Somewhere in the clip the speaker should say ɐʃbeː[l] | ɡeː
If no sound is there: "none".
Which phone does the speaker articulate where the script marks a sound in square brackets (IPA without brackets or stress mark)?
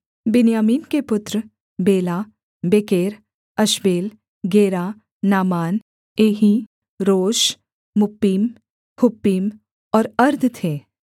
l